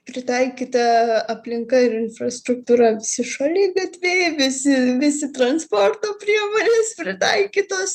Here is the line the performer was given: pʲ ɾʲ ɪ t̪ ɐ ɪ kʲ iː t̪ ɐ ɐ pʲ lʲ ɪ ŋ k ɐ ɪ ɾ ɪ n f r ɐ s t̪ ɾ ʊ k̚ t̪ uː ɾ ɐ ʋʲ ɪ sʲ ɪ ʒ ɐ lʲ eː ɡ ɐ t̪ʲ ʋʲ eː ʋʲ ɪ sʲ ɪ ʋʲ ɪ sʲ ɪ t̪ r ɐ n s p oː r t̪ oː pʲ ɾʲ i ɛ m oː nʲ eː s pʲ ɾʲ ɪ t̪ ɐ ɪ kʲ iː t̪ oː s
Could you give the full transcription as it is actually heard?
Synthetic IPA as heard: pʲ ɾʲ ɪ t̪ ɐ ɪ kʲ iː t̪ ɐ ɐ pʲ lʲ ɪ ŋ k ɐ ɪ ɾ ɪ n f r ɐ s t̪ ɾ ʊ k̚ t̪ uː ɾ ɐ ʋʲ ɪ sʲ ɪ ʃ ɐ lʲ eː ɡ ɐ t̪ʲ ʋʲ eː ʋʲ ɪ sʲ ɪ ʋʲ ɪ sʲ ɪ t̪ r ɐ n s p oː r t̪ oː pʲ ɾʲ i ɛ m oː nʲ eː s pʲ ɾʲ ɪ t̪ ɐ ɪ kʲ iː t̪ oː s